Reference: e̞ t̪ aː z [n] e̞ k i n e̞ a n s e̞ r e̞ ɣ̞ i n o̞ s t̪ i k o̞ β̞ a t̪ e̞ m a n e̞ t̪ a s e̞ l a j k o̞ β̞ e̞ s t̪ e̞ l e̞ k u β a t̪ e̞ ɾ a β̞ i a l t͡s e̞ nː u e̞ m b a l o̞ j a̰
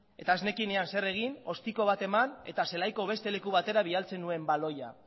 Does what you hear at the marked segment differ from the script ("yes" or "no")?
no